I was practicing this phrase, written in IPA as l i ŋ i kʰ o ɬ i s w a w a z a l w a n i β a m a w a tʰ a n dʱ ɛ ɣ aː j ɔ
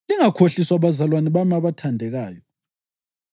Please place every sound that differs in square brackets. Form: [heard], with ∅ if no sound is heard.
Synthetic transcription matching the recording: l i ŋ [a] kʰ o ɬ i s w a [β] a z a l w a n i β a m a [β] a tʰ a n dʱ ɛ ɣ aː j ɔ

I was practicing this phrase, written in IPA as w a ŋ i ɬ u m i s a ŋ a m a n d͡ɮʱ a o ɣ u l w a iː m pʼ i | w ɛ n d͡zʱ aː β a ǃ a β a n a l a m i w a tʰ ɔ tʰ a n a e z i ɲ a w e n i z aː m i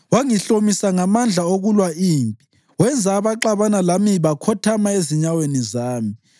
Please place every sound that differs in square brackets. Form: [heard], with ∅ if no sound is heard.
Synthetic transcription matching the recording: w a ŋ i ɬ [o] m i s a ŋ a m a n d͡ɮʱ a o ɣ u l w a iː m pʼ i | w ɛ n d͡zʱ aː β a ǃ a β a n a l a m i [β] a [kʰ] ɔ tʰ a [m] a e z i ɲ a w e n i z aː m i

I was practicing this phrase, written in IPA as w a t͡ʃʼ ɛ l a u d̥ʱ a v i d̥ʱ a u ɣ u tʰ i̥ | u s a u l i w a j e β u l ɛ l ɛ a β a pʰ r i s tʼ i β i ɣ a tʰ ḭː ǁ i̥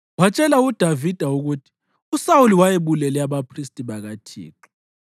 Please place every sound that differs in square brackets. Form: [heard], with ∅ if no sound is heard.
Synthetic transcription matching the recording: w a t͡ʃʼ ɛ l a u d̥ʱ a v i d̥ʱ a u ɣ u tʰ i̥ | u s a u l i w a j e β u l ɛ l ɛ a β a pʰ r i s tʼ i β [a] ɣ a tʰ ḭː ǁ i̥

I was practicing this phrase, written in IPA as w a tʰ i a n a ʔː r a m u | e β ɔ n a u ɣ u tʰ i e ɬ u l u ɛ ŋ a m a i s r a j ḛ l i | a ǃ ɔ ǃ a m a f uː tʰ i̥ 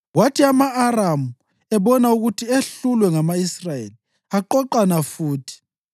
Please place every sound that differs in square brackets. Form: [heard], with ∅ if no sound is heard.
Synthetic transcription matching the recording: w a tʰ i a [m] a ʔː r a m u | [ɛ] β ɔ n a u ɣ u tʰ i e ɬ u l [w] ɛ ŋ a m a i s r a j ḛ l i | a ǃ ɔ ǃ a [n] a f uː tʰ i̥

